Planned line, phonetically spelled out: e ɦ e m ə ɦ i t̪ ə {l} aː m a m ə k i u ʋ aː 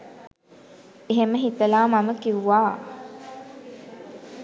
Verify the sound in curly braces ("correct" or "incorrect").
correct